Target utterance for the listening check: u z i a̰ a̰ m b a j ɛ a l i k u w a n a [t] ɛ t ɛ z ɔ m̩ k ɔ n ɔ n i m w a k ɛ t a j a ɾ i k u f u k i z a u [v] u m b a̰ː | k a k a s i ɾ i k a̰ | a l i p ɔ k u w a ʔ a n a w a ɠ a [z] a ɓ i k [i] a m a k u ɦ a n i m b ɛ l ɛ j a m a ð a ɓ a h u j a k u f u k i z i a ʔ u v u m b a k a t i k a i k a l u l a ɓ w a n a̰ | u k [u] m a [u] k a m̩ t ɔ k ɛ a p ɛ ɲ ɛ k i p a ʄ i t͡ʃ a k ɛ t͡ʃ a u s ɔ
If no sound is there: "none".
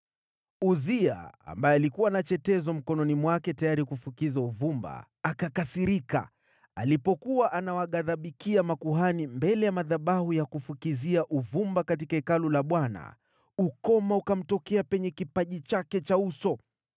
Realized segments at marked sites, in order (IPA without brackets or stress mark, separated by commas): t͡ʃ, v, ð, i, ɔ, u